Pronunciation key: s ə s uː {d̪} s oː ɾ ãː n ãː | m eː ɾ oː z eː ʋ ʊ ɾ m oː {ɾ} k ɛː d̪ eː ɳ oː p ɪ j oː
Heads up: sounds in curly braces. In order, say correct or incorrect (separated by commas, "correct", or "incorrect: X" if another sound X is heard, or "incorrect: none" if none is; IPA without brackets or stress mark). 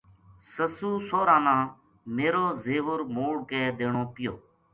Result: incorrect: none, incorrect: ɽ